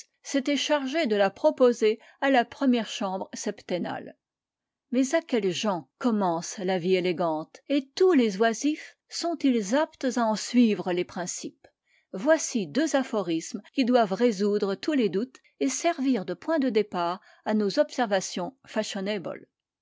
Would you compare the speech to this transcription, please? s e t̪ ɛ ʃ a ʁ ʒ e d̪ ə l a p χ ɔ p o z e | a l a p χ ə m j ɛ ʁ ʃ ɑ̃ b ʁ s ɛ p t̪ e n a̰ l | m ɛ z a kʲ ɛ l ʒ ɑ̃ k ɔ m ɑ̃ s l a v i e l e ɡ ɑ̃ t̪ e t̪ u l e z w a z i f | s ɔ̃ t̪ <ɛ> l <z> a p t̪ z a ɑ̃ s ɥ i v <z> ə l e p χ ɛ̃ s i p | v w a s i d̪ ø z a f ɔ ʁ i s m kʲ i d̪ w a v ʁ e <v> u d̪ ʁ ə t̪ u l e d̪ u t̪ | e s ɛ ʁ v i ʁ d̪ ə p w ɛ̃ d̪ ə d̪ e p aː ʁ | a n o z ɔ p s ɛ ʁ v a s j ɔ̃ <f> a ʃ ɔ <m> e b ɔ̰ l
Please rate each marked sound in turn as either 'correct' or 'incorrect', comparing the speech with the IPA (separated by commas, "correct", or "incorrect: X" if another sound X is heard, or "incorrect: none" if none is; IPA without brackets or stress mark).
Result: incorrect: i, correct, incorrect: ʁ, incorrect: z, correct, incorrect: n